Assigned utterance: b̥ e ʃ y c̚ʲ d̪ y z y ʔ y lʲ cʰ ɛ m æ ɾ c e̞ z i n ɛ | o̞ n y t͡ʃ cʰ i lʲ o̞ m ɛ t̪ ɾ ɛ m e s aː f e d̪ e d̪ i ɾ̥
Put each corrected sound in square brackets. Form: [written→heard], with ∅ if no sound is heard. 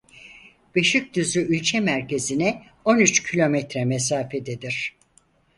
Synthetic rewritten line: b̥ e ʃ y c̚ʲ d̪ y z y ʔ y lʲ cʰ ɛ m æ ɾ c e̞ z i n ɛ | o̞ n y t͡ʃ cʰ i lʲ o̞ m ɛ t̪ ɾ ɛ m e s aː f e d̪ e d̪ i ɾ̥